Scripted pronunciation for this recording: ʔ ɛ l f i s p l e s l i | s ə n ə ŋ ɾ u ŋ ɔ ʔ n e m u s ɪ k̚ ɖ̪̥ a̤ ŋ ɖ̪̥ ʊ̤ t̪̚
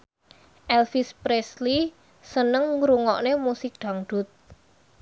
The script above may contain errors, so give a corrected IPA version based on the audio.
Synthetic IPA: ʔ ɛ l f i s p ɾ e s l i | s ə n ə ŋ ɾ u ŋ ɔ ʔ n e m u s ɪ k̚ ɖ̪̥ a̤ ŋ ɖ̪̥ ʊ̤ t̪̚